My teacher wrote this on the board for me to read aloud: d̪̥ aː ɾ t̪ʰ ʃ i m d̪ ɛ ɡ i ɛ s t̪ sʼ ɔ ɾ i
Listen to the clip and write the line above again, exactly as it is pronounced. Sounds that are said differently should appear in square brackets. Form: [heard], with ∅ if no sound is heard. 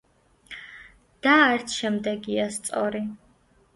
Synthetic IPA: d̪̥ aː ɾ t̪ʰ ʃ [ɛ] m d̪ ɛ ɡ i [a] s t̪ sʼ ɔ ɾ i